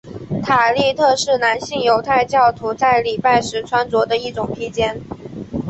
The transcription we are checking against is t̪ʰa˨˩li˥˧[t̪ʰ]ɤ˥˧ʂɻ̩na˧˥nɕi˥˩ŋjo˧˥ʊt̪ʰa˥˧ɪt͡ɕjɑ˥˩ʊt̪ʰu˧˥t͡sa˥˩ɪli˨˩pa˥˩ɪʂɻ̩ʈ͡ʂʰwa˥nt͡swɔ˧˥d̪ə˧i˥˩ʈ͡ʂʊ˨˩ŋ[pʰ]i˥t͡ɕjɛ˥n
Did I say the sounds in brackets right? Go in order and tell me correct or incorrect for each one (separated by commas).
correct, correct